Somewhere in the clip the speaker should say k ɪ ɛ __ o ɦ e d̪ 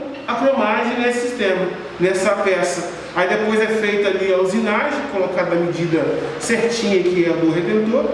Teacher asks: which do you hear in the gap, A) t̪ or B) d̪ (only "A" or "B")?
B